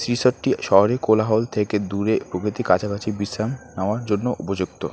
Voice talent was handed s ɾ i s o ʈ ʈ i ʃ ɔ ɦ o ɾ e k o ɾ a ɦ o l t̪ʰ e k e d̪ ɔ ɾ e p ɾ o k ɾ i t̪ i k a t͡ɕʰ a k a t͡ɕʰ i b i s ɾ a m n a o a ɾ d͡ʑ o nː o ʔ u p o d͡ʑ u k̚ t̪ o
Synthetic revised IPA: s ɾ i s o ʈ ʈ i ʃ ɔ ɦ o ɾ e k o l a ɦ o l t̪ʰ e k e d̪ u ɾ e p ɾ o k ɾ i t̪ i k a t͡ɕʰ a k a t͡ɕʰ i b i s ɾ a m n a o a ɾ d͡ʑ o nː o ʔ u p o d͡ʑ u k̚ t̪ o